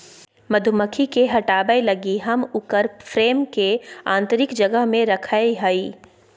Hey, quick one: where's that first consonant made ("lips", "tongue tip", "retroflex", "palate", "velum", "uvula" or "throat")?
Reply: lips